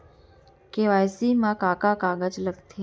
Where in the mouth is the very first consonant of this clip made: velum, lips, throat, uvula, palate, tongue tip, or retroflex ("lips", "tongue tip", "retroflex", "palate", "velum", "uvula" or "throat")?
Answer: velum